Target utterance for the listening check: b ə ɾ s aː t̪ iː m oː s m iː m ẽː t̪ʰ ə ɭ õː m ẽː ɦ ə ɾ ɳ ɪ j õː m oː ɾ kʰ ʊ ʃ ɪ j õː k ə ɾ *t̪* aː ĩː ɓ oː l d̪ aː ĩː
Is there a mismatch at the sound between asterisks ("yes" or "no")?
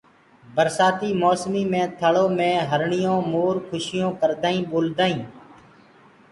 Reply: yes